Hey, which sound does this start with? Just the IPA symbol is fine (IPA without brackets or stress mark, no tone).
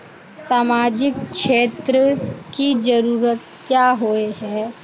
s